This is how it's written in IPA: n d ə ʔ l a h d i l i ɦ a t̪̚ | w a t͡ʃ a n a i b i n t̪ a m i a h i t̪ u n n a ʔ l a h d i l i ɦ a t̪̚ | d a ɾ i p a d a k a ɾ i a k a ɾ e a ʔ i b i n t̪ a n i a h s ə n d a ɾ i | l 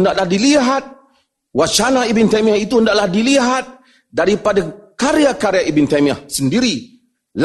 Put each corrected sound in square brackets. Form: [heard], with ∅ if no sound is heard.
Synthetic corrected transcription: n d [a] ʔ l a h d i l i ɦ a t̪̚ | w a t͡ʃ a n a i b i n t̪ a m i a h i t̪ u n [d] a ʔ l a h d i l i ɦ a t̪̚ | d a ɾ i p a d a k a ɾ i a k a ɾ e a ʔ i b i n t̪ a [m] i a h s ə n d [i] ɾ i | l